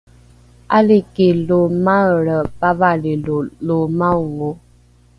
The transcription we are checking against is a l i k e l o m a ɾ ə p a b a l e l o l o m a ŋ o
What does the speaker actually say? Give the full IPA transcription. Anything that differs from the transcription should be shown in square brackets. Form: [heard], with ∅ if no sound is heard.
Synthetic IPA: a l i k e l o m a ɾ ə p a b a l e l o l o m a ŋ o